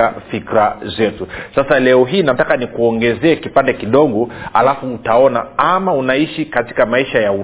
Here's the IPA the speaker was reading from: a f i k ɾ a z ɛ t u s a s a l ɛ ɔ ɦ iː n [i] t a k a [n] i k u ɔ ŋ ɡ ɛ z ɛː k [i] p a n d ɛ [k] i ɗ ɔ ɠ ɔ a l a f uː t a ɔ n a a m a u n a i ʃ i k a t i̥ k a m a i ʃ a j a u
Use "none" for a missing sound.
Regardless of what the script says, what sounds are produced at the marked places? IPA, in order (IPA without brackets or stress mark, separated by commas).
a, n, i, k